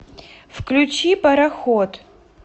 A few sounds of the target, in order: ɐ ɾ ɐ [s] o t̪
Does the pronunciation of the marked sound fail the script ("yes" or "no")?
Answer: yes